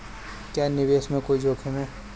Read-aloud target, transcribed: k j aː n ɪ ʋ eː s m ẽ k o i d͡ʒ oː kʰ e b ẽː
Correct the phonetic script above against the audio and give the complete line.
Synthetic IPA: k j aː n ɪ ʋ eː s m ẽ k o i d͡ʒ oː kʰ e m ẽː